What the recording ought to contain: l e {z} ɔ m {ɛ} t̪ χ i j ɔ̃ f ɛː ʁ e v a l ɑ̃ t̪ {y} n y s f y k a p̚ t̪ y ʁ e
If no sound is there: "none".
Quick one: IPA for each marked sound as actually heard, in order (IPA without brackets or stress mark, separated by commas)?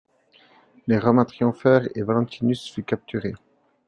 ʁ, ɛ̃, i